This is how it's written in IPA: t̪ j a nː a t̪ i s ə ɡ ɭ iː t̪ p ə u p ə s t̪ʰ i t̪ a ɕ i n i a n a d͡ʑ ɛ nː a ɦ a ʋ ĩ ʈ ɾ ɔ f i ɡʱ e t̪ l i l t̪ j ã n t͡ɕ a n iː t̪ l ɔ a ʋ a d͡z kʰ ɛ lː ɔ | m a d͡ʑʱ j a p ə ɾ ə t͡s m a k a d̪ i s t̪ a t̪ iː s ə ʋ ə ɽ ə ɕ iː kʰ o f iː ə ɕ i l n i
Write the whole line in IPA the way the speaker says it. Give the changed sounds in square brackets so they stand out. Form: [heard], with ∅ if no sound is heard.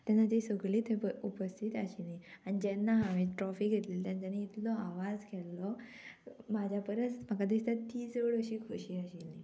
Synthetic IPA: t̪ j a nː a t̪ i s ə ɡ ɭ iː t̪ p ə u p ə s t̪ʰ i t̪ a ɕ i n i a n [i] d͡ʑ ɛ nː a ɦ a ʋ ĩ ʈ ɾ ɔ f i ɡʱ e t̪ l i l t̪ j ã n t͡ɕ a n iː t̪ l ɔ a ʋ a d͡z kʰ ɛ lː ɔ | m a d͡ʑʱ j a p ə ɾ ə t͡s m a k a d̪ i s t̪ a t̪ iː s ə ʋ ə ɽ ə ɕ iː kʰ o [ɕ] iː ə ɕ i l n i